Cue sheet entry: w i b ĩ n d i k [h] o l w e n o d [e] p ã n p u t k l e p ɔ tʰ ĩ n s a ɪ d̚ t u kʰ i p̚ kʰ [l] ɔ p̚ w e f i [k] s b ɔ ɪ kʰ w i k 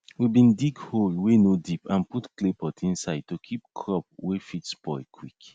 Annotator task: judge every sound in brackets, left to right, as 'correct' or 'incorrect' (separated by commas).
correct, incorrect, incorrect, incorrect